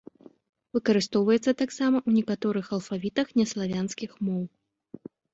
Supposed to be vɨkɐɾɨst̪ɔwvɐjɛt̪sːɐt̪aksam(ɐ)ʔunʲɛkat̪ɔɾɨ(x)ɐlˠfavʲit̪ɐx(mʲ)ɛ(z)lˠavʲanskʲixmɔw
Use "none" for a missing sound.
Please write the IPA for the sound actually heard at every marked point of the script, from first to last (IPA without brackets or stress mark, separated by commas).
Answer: ɐ, x, nʲ, s